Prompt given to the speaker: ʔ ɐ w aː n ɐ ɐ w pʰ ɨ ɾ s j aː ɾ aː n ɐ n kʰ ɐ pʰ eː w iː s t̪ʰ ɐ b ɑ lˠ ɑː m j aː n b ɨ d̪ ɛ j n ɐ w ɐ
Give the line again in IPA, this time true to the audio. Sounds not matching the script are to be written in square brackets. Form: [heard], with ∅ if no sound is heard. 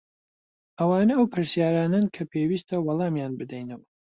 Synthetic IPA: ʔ ɐ w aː n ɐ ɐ w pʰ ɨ ɾ s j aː ɾ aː n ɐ n kʰ ɐ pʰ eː w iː s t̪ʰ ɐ [w] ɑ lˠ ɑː m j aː n b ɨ d̪ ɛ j n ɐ w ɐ